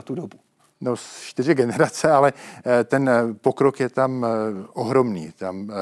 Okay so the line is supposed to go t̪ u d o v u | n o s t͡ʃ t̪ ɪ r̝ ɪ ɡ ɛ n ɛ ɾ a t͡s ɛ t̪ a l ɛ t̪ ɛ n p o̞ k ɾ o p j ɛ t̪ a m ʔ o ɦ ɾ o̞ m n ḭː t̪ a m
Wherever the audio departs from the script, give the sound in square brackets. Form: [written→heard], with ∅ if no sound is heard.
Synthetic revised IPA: t̪ u d o [v→b] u | n o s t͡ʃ t̪ ɪ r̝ ɪ ɡ ɛ n ɛ ɾ a t͡s ɛ [t̪→∅] a l ɛ t̪ ɛ n p o̞ k ɾ o [p→k] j ɛ t̪ a m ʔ o ɦ ɾ o̞ m n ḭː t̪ a m